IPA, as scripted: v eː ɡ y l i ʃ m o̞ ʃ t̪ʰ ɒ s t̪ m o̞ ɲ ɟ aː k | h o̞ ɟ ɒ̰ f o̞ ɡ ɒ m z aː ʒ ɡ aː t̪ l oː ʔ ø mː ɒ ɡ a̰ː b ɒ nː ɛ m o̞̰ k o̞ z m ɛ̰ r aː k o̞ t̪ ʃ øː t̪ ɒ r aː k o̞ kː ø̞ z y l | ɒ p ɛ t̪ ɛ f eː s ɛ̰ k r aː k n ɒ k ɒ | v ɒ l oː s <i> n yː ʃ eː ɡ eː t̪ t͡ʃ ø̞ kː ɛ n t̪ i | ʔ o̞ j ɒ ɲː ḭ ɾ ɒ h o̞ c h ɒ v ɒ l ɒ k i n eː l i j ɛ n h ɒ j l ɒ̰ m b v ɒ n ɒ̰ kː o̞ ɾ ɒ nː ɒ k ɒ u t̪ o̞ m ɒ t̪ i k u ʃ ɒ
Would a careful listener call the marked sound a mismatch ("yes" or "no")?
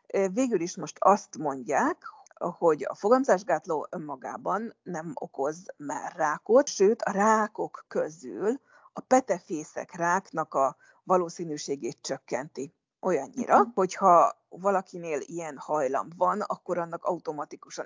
yes